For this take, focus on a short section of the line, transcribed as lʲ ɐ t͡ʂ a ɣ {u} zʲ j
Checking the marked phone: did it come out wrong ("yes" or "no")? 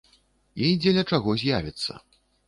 yes